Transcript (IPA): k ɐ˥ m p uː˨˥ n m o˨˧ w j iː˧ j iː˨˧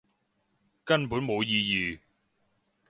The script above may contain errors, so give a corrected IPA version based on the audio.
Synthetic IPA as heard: k ɐ˥ n p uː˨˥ n m o˨˧ w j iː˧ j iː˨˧